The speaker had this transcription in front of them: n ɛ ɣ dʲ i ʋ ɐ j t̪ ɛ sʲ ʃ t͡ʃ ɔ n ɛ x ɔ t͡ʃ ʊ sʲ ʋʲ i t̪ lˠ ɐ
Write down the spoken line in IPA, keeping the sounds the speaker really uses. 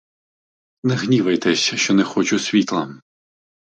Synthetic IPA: n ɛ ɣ nʲ i ʋ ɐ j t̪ ɛ sʲ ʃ t͡ʃ ɔ n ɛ x ɔ t͡ʃ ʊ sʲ ʋʲ i t̪ lˠ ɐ